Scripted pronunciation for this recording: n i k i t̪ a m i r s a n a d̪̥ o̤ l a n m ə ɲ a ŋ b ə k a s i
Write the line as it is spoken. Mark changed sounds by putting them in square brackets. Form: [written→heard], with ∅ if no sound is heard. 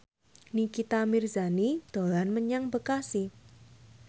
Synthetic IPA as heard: n i k i t̪ a m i r [s→z] a n [a→i] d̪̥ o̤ l a n m ə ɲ a ŋ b ə k a s i